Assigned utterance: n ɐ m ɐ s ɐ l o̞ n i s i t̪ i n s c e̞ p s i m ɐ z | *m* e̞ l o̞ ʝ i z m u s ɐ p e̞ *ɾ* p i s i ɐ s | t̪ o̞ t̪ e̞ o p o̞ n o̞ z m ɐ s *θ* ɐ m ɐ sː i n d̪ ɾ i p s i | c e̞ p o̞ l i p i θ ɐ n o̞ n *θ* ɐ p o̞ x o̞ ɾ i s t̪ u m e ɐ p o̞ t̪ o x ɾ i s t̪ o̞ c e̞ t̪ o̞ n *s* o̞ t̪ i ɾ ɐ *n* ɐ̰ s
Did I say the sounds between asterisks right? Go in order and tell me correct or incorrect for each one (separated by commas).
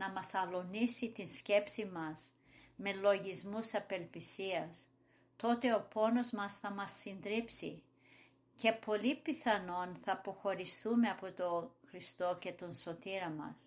correct, incorrect, correct, correct, correct, incorrect